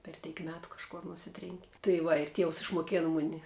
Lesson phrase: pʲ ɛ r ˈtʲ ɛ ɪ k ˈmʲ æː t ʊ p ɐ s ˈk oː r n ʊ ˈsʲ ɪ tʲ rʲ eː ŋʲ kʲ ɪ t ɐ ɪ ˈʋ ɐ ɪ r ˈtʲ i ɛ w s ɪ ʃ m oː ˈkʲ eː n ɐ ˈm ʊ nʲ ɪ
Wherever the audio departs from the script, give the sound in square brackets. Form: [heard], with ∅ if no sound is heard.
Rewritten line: pʲ ɛ r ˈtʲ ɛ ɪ k ˈmʲ æː t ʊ [k] ɐ [ʃ] ˈk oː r n ʊ ˈsʲ ɪ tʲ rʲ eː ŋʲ kʲ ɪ t ɐ ɪ ˈʋ ɐ ɪ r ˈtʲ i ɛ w s ɪ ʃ m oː ˈkʲ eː n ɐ ˈm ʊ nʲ ɪ

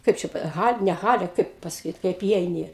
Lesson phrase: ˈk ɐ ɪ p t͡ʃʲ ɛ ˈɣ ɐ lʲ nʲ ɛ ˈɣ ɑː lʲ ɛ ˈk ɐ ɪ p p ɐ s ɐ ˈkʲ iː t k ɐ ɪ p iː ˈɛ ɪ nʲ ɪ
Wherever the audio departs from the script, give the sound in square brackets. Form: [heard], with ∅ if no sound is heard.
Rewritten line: ˈk ɐ ɪ p t͡ʃʲ ɛ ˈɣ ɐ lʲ nʲ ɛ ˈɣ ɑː lʲ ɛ ˈk ɐ ɪ p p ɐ s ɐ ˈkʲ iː t k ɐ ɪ p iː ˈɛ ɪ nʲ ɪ

